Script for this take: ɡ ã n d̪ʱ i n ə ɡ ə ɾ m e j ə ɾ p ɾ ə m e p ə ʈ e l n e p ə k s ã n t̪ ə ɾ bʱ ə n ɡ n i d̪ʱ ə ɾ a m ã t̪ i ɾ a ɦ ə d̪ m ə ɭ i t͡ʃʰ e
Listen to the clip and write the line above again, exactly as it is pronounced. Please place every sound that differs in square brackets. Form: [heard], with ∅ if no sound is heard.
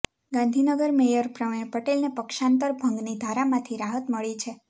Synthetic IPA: ɡ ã n d̪ʱ i n ə ɡ ə ɾ m e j ə ɾ p ɾ ə m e p ə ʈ e l n e p ə k [ʃ] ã n t̪ ə ɾ bʱ ə [ŋ] ɡ n i d̪ʱ [a] ɾ a m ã [t̪ʰ] i ɾ a ɦ ə [t̪] m ə ɭ i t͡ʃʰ e